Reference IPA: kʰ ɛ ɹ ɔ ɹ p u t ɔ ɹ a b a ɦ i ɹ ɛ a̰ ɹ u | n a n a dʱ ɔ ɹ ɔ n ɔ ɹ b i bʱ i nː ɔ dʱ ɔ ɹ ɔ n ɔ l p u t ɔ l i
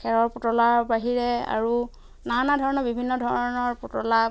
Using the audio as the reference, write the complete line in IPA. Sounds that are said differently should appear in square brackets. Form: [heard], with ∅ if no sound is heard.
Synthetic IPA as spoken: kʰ ɛ ɹ ɔ ɹ p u t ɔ [l] a b a ɦ i ɹ ɛ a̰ ɹ u | n a n a dʱ ɔ ɹ ɔ n ɔ ɹ b i bʱ i nː ɔ dʱ ɔ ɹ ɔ n ɔ [ɹ] p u t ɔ l [a]